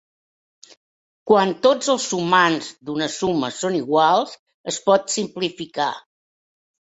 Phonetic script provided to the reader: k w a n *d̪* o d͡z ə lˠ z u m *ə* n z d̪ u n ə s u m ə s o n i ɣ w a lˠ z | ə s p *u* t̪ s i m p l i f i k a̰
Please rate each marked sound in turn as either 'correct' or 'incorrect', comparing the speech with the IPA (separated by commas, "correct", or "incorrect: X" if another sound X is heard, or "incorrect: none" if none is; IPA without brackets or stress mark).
incorrect: t̪, incorrect: a, incorrect: ɔ